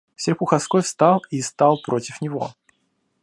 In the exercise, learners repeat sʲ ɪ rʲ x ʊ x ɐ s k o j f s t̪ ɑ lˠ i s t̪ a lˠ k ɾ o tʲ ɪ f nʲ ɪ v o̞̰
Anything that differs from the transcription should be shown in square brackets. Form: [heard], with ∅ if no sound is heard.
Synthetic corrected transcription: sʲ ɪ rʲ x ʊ x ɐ s k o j f s t̪ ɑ lˠ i s t̪ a lˠ [p] ɾ o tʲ ɪ f nʲ ɪ v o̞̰